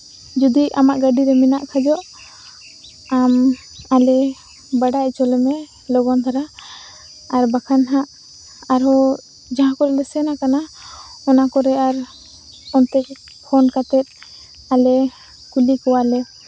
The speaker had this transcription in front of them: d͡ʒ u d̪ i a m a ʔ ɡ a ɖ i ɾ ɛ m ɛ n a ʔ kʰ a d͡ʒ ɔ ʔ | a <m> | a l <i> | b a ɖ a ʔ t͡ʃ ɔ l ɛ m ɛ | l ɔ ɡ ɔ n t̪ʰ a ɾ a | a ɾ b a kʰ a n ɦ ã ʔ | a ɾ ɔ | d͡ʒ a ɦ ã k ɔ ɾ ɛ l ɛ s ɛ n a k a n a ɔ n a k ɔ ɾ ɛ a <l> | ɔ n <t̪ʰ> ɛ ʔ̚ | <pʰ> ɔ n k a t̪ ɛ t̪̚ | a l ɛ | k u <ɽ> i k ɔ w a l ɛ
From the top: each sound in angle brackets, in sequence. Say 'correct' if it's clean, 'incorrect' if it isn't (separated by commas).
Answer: correct, incorrect, incorrect, incorrect, correct, incorrect